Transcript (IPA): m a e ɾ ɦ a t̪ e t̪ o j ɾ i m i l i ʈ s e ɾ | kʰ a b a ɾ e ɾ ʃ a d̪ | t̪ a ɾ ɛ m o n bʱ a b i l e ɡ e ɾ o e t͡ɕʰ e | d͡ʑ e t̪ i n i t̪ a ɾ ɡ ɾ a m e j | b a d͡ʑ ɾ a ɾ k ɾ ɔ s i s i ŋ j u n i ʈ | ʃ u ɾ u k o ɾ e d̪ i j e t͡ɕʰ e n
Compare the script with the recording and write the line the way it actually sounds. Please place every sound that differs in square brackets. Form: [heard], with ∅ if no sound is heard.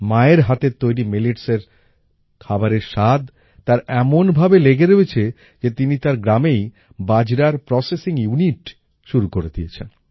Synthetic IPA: m a e ɾ ɦ a t̪ e t̪ o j ɾ i m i l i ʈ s e ɾ | kʰ a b a ɾ e ɾ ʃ a d̪ | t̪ a ɾ ɛ m o n bʱ a b [e] l e ɡ e ɾ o e t͡ɕʰ e | d͡ʑ e t̪ i n i t̪ a ɾ ɡ ɾ a m e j | b a d͡ʑ ɾ a ɾ [p] ɾ ɔ s [e] s i ŋ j u n i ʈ | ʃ u ɾ u k o ɾ e d̪ i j e t͡ɕʰ e n